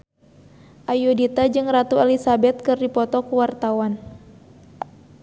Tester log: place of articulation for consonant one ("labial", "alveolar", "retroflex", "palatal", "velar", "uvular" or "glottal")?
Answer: glottal